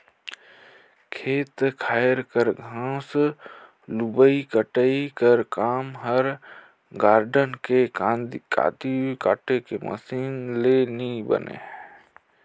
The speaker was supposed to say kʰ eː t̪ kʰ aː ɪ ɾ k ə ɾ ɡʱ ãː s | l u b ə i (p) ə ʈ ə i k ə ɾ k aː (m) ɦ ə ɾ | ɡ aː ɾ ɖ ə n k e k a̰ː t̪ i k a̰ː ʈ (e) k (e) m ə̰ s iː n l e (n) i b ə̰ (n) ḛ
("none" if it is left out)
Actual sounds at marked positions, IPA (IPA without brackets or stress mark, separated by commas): k, m, e, e, n, n